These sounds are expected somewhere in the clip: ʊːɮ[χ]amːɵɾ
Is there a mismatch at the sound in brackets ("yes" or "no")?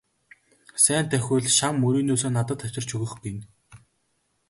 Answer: yes